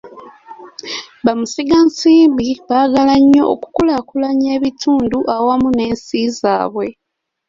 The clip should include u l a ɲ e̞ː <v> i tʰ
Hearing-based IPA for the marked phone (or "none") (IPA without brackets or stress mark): β